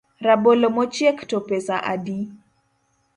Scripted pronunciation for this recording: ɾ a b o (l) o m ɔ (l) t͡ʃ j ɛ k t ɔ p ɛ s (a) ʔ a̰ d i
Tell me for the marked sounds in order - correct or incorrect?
correct, incorrect: none, correct

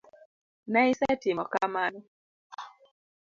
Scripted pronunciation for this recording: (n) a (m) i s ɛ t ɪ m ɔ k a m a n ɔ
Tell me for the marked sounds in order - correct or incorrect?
correct, incorrect: none

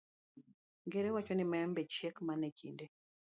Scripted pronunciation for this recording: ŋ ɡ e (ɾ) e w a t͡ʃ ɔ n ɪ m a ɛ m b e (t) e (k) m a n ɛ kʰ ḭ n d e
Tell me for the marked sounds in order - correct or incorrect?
correct, incorrect: t͡ʃ, correct

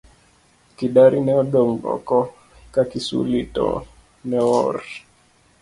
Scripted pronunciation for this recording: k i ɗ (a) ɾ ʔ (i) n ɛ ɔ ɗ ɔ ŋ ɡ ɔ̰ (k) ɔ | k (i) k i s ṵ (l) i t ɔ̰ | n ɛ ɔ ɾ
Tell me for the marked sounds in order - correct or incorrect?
correct, correct, correct, incorrect: a, correct

